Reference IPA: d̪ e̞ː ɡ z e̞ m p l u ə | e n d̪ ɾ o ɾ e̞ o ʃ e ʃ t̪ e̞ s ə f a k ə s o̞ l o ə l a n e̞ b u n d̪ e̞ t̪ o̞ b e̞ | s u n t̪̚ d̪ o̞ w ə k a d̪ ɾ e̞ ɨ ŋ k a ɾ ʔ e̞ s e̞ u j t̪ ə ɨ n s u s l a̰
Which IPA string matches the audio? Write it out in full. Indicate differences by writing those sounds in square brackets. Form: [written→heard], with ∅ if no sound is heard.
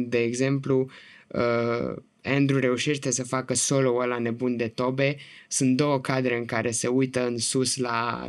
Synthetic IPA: d̪ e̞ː ɡ z e̞ m p l u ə | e n d̪ ɾ [o→u] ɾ e̞ [o→u] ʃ e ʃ t̪ e̞ s ə f a k ə s o̞ l o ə l a n e̞ b u n d̪ e̞ t̪ o̞ b e̞ | s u n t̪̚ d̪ o̞ w ə k a d̪ ɾ e̞ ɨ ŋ k a ɾ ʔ e̞ s e̞ u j t̪ ə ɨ n s u s l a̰